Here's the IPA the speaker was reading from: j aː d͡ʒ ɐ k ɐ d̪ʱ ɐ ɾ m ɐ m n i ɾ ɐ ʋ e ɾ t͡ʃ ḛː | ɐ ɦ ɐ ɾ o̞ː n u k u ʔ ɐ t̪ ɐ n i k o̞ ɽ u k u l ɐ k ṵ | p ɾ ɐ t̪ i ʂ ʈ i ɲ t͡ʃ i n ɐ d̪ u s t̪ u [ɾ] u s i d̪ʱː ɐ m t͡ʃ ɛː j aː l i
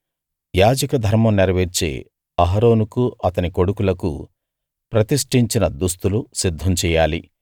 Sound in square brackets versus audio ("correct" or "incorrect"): incorrect